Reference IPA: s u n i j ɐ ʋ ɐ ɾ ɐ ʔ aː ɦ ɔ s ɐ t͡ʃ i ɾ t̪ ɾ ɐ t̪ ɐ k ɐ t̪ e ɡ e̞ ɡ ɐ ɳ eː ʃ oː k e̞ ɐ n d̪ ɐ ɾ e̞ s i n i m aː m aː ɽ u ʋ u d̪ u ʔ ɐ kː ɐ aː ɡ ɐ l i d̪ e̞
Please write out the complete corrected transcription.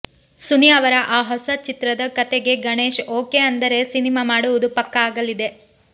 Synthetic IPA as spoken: s u n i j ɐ ʋ ɐ ɾ ɐ ʔ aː ɦ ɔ s ɐ t͡ʃ i t̪ ɾ ɐ d̪ ɐ k ɐ t̪ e ɡ e̞ ɡ ɐ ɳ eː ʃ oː k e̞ ɐ n d̪ ɐ ɾ e̞ s i n i m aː m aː ɽ u ʋ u d̪ u p ɐ kː ɐ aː ɡ ɐ l i d̪ e̞